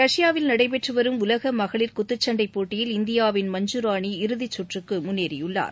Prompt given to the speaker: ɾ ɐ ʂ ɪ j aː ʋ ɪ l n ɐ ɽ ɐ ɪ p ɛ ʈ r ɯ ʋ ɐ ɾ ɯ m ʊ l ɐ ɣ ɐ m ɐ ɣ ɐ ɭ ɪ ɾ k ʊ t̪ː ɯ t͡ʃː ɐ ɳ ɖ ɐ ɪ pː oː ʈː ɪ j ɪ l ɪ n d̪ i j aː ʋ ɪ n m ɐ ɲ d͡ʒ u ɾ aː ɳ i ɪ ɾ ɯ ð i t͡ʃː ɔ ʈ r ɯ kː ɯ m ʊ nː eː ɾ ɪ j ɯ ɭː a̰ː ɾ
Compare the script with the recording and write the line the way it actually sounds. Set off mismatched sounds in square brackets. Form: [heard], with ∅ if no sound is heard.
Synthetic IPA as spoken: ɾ ɐ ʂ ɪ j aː ʋ ɪ l n ɐ ɽ ɐ ɪ p ɛ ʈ r ɯ ʋ ɐ ɾ ɯ m ʊ l ɐ ɣ ɐ m ɐ ɣ ɐ ɭ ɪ ɾ k ʊ t̪ː ɯ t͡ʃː ɐ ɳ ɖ ɐ ɪ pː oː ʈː ɪ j ɪ l ɪ n d̪ [ɪ] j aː ʋ ɪ n m ɐ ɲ d͡ʒ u ɾ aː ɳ i ɪ ɾ ɯ ð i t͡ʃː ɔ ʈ r ɯ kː ɯ m ʊ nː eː ɾ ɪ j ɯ ɭː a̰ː ɾ